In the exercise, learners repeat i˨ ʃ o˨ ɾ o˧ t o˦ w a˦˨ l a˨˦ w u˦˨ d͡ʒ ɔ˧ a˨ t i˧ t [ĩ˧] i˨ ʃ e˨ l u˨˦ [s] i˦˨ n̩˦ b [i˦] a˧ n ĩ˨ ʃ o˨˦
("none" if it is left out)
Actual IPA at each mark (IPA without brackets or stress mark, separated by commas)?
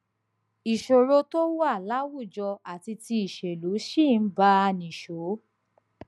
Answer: i˧, ʃ, a˦